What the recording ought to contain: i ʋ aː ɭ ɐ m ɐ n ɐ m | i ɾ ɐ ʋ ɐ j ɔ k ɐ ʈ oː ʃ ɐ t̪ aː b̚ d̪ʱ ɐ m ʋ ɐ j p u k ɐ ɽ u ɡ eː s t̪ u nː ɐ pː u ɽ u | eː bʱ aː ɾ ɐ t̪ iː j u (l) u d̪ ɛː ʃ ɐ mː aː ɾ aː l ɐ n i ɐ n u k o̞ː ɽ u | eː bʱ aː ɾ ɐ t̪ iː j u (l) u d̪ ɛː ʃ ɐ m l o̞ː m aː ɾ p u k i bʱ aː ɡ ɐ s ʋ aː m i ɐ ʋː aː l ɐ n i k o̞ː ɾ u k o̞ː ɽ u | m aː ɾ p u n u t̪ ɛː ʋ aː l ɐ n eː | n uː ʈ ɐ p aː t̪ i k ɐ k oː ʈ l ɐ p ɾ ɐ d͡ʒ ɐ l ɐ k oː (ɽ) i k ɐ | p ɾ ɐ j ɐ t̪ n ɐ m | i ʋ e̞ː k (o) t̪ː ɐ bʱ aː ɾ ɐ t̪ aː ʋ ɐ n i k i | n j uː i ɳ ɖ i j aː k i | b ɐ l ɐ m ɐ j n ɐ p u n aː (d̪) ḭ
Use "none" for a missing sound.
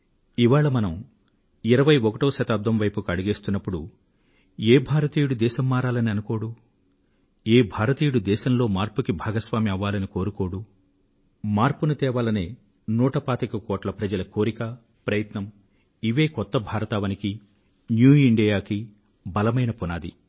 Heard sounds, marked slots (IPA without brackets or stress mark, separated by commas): ɽ, ɽ, ɾ, ɔ, d̪